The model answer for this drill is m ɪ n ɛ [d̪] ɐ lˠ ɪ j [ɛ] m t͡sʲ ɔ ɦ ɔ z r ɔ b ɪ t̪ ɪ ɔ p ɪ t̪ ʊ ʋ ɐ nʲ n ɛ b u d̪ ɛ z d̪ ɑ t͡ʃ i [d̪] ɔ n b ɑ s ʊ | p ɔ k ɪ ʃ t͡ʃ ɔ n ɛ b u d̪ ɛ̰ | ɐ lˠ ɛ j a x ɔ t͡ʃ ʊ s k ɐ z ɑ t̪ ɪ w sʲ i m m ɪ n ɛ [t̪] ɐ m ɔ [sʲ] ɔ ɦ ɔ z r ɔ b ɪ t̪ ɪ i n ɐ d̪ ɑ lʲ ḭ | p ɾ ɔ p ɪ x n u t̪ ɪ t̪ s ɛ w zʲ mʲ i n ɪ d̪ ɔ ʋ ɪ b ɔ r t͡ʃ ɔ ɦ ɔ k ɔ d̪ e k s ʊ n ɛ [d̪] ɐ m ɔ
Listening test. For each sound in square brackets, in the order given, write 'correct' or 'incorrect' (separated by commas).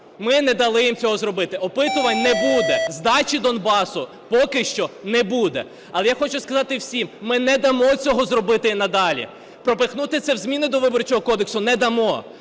correct, incorrect, correct, incorrect, incorrect, correct